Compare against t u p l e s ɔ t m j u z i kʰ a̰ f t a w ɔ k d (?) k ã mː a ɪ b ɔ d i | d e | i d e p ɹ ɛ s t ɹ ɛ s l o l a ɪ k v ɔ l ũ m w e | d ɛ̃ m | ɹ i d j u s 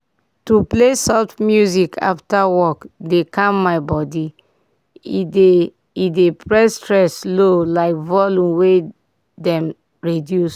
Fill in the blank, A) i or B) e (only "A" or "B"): B